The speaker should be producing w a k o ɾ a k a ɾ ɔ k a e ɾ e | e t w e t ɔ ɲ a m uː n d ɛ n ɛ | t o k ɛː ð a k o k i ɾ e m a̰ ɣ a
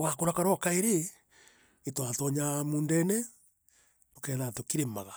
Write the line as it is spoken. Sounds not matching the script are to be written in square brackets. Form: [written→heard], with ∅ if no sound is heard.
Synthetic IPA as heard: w a k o ɾ a k a ɾ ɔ k a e ɾ e | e t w [e→a] t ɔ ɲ a m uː n d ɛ n ɛ | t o k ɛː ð a [k→t] o k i ɾ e m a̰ ɣ a